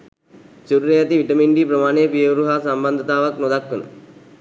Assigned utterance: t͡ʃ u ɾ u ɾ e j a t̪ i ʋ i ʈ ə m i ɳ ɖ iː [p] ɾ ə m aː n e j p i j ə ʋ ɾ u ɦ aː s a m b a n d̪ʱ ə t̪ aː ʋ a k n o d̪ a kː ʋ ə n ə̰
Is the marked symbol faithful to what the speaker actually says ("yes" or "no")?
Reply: yes